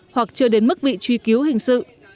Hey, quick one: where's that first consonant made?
throat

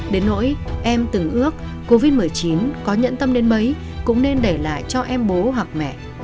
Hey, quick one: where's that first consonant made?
tongue tip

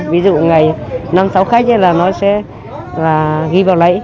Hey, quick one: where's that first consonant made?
lips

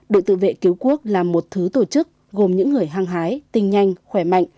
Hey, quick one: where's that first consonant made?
tongue tip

